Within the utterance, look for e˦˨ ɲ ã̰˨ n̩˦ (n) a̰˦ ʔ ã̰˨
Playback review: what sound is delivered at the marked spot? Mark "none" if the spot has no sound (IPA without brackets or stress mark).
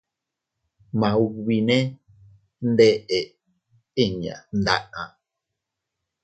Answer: d